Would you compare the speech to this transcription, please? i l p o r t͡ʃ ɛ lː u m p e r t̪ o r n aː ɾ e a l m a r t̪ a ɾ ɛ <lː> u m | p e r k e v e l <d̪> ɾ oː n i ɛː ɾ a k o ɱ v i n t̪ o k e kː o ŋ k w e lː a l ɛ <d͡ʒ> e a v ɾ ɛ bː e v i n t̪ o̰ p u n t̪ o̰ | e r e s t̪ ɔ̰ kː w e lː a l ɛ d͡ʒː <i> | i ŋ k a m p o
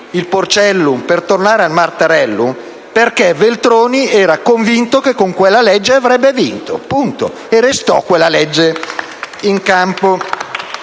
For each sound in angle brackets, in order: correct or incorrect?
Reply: correct, incorrect: t̪, incorrect: d͡ʒː, incorrect: e

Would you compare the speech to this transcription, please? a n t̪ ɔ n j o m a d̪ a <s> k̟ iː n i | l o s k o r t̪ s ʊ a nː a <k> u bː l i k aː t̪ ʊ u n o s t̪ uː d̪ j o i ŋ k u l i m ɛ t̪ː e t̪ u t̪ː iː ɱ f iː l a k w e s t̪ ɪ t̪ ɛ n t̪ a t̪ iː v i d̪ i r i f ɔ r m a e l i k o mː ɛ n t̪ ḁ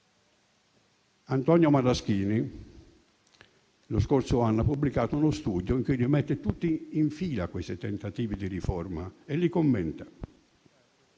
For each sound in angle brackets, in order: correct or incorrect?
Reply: correct, incorrect: p

